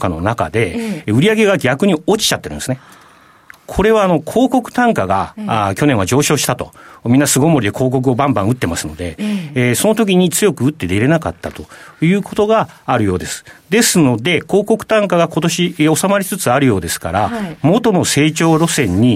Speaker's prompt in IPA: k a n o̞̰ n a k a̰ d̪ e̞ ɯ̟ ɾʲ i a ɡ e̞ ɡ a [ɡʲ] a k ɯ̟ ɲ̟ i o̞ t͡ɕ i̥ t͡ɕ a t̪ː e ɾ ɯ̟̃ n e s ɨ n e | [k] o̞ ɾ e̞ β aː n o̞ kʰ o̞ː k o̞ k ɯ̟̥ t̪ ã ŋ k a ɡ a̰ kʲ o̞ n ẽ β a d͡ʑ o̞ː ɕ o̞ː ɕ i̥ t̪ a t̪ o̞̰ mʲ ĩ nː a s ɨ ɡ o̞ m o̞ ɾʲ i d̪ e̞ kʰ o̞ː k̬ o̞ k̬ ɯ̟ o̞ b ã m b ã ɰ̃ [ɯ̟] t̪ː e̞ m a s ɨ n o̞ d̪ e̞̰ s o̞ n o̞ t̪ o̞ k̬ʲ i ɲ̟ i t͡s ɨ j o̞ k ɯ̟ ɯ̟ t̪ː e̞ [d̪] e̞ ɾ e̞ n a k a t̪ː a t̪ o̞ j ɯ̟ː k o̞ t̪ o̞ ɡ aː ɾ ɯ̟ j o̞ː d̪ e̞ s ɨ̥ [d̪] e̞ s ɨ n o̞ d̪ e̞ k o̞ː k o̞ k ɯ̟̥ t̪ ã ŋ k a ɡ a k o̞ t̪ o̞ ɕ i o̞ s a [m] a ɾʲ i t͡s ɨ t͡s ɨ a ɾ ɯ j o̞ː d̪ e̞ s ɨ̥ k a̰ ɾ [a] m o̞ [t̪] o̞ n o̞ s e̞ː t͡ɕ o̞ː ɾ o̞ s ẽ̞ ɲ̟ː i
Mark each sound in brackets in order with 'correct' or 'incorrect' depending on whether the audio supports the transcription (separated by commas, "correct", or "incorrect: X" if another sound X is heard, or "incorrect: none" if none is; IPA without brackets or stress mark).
correct, incorrect: kʰ, correct, correct, correct, correct, correct, correct